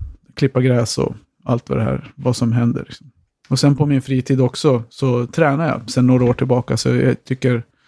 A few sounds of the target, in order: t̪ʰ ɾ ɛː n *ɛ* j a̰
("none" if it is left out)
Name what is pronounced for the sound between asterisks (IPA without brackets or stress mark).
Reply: a